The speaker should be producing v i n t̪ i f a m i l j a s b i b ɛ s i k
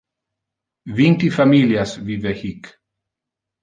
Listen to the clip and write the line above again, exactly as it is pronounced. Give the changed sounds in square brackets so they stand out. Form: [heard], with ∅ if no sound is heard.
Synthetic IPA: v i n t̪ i f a m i l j a s [v] i [v] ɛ [h] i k